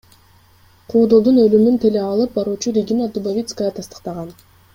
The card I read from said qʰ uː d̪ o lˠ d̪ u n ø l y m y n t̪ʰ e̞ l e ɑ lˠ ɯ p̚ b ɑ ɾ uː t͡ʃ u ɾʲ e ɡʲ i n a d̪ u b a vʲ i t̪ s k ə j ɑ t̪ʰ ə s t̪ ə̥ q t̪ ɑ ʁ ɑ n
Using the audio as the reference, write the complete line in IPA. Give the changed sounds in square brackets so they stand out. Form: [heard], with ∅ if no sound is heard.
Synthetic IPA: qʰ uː d̪ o lˠ d̪ u n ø l y m y n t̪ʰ e̞ l e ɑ lˠ ɯ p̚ b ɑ ɾ uː t͡ʃ u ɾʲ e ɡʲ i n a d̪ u b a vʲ i t̪ s k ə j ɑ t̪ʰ [ɑ] s t̪ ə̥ q t̪ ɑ ʁ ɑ n

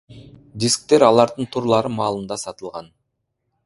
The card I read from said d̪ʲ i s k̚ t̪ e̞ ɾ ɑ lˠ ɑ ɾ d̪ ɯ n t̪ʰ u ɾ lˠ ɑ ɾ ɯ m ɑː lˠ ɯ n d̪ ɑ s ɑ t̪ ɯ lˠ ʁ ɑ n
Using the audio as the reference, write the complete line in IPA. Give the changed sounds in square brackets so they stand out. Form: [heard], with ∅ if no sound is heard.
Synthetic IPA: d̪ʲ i s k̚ t̪ e̞ ɾ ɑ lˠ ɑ ɾ d̪ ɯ n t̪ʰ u ɾ lˠ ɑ ɾ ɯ m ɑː lˠ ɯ n d̪ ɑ s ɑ t̪ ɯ lˠ ʁ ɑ n

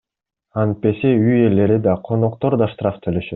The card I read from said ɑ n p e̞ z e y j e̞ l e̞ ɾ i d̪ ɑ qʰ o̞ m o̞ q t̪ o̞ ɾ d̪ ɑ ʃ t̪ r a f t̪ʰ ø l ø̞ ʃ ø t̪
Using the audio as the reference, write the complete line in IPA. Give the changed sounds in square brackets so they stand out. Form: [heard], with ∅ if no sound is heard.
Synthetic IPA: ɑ n p e̞ [s] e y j e̞ l e̞ ɾ i d̪ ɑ qʰ o̞ [n] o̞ q t̪ o̞ ɾ d̪ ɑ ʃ t̪ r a f t̪ʰ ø l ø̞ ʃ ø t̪

